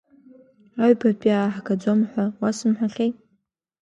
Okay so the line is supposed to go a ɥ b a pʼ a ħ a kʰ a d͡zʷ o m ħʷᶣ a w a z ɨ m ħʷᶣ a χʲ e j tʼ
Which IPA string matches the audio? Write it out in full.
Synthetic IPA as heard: a ɥ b a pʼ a ħ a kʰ a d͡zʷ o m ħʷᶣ a w a s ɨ m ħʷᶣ a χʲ e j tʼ